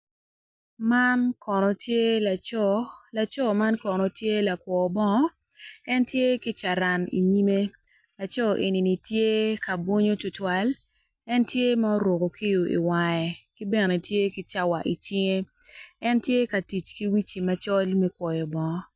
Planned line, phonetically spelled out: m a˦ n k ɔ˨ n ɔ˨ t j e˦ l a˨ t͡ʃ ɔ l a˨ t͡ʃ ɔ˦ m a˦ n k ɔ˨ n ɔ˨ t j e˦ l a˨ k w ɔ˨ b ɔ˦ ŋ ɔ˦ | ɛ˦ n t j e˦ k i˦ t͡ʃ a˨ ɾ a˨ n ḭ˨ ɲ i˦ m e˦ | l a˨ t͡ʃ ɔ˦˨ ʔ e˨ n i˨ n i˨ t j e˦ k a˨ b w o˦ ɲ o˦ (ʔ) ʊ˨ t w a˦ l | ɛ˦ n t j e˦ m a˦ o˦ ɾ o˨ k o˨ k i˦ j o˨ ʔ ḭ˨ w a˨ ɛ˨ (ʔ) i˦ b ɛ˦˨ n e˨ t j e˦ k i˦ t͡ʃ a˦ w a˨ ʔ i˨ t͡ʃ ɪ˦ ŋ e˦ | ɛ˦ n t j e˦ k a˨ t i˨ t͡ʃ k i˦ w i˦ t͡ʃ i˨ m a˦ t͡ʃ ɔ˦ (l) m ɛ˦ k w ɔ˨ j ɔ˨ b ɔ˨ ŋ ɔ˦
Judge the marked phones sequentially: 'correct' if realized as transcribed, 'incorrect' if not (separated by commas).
incorrect, incorrect, correct